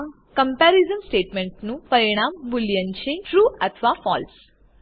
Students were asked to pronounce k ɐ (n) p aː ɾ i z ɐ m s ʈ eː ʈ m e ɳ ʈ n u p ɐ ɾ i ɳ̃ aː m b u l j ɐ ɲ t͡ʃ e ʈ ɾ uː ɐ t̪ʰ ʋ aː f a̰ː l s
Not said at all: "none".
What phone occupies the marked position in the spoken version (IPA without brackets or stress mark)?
m